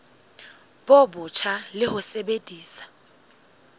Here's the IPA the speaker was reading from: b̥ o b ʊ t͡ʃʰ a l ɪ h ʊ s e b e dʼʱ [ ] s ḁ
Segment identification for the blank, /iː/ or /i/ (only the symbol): iː